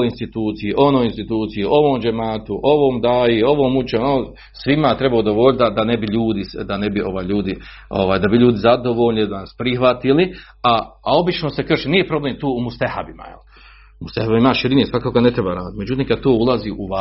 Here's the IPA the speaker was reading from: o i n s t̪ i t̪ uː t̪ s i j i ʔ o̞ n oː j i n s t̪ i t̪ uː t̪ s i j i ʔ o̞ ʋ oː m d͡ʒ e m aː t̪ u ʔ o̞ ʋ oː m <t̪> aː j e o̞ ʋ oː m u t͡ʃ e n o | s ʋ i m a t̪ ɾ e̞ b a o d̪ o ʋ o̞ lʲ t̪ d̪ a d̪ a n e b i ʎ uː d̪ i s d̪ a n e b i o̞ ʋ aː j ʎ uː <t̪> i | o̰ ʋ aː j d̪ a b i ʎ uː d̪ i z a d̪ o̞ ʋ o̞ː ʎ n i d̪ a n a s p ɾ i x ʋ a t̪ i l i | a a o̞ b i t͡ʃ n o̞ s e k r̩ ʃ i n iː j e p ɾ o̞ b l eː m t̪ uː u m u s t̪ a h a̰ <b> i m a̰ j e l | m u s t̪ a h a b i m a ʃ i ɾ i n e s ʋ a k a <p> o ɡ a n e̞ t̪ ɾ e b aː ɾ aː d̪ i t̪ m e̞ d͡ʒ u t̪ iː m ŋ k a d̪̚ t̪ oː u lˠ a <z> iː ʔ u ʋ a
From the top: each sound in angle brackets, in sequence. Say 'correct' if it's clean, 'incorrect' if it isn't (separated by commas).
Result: incorrect, incorrect, correct, incorrect, correct